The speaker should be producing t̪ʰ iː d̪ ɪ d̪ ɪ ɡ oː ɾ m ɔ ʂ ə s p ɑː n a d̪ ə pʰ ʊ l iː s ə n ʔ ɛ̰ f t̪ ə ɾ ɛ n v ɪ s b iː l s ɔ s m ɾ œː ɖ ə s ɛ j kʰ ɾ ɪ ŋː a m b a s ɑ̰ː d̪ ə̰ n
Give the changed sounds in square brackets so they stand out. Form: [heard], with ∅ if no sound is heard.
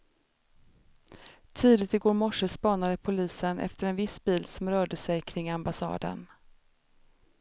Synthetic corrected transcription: t̪ʰ iː d̪ ɪ [t̪] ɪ ɡ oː ɾ m ɔ ʂ ə s p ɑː n a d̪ ə pʰ ʊ l iː s ə n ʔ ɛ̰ f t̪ ə ɾ ɛ n v ɪ s b iː l s ɔ [∅] m ɾ œː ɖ ə s ɛ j kʰ ɾ ɪ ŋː a m b a s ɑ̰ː d̪ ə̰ n